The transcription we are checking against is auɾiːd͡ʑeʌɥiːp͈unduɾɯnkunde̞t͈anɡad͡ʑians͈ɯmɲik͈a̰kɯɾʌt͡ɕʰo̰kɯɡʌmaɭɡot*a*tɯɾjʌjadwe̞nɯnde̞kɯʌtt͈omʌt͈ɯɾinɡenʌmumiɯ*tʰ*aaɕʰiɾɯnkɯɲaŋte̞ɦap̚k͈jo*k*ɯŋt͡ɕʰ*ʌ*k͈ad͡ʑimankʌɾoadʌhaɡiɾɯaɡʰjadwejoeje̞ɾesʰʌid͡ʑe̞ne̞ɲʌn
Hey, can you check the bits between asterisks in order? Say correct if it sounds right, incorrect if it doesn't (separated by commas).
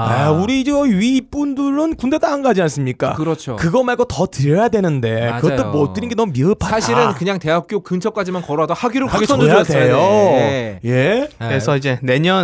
incorrect, incorrect, correct, correct